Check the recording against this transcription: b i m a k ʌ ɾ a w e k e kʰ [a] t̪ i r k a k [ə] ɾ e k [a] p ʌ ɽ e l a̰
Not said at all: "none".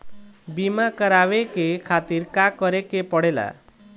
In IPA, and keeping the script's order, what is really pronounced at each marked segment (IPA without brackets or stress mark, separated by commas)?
a, ʌ, e